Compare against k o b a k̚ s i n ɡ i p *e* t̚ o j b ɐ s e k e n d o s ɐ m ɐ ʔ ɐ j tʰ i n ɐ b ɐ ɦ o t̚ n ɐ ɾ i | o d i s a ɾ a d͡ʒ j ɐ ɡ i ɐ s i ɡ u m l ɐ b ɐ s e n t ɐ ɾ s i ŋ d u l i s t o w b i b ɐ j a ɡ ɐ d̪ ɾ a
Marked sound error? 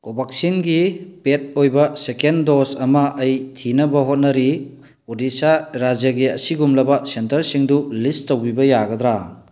no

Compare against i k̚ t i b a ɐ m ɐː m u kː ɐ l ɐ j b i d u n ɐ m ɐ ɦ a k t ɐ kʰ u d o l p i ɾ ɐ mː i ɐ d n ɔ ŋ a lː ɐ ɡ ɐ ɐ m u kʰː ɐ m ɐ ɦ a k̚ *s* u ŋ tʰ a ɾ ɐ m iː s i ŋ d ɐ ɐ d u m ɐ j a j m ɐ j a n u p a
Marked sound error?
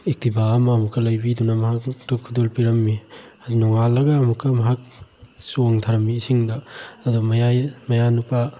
no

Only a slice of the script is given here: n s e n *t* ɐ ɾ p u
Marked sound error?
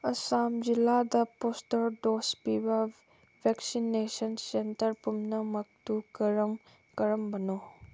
no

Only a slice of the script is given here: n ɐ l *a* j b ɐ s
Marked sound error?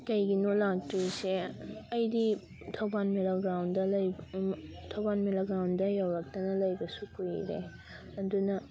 yes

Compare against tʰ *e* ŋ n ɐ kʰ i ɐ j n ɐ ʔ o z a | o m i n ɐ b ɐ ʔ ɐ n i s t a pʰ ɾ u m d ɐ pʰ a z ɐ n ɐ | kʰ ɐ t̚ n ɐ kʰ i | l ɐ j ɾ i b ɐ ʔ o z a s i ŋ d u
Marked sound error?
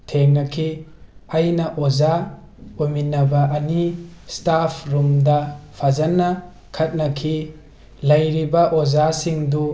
no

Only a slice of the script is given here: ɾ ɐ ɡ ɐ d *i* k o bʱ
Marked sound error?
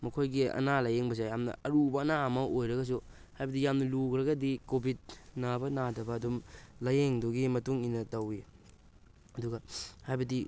no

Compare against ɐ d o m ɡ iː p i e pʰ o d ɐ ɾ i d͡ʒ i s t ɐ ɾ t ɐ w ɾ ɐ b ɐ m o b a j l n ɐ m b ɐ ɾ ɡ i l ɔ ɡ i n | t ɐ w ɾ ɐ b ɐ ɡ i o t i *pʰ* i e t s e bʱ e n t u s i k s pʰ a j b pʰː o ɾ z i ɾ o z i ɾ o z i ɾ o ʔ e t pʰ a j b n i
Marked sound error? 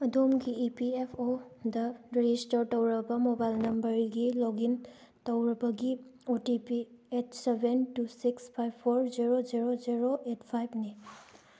yes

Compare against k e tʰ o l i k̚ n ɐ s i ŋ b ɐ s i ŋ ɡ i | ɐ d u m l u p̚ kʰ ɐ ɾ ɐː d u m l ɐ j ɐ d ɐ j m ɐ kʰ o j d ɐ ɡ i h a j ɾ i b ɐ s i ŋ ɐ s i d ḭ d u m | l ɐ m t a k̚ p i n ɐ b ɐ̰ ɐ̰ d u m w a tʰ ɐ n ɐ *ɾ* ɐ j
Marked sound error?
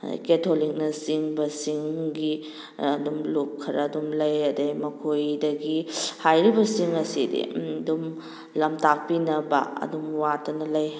yes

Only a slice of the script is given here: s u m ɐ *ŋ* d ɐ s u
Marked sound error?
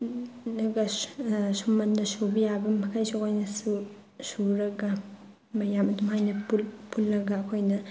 yes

